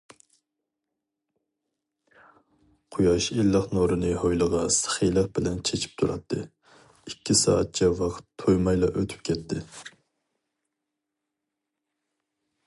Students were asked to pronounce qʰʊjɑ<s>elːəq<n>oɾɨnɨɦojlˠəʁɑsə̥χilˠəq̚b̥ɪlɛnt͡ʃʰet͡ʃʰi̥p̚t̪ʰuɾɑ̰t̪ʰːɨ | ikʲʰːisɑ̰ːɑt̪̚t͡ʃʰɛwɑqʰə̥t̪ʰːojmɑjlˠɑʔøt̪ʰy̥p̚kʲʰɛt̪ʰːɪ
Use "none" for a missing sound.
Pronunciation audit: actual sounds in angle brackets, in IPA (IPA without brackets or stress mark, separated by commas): ʃ, n